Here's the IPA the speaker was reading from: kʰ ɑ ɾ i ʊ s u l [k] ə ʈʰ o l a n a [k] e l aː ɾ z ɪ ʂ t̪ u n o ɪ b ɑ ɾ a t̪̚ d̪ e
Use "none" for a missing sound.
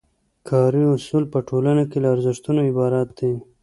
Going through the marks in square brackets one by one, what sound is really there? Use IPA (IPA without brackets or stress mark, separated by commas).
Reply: p, k